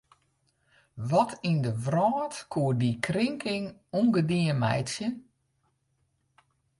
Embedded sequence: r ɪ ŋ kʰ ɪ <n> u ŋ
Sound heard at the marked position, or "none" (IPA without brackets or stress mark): ŋ